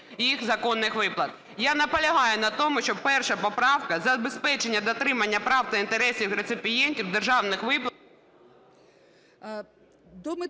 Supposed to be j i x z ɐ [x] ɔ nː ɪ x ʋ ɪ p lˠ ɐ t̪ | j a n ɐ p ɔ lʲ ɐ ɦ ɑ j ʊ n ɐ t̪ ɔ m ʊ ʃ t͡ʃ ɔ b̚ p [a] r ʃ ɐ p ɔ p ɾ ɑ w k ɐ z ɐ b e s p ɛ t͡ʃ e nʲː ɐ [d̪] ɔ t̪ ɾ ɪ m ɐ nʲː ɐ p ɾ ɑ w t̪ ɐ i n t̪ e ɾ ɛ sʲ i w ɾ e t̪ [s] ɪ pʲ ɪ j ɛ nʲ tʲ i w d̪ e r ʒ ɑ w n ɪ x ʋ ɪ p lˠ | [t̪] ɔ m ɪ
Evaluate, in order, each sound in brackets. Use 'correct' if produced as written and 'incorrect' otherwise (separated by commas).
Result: incorrect, incorrect, correct, correct, incorrect